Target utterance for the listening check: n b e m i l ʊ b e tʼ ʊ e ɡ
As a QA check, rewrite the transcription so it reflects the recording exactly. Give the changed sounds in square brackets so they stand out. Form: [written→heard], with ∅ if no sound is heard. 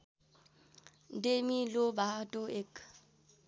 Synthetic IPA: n [b→d] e m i l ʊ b [e→a] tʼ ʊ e [ɡ→k]